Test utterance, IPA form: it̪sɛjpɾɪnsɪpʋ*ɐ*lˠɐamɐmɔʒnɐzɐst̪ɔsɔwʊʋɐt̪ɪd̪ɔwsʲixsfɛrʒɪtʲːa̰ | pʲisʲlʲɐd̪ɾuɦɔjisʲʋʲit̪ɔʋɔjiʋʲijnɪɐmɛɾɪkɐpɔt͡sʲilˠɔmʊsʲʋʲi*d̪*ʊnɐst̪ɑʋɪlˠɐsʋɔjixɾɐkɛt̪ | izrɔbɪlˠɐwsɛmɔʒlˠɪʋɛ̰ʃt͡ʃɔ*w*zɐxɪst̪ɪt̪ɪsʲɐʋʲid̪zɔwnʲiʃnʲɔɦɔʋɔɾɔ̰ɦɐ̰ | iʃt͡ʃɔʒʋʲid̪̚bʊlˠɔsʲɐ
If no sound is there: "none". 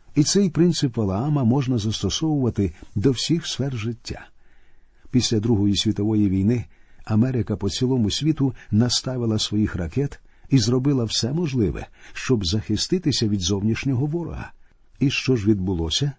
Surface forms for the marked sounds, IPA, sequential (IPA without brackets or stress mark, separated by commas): ɐ, t̪, b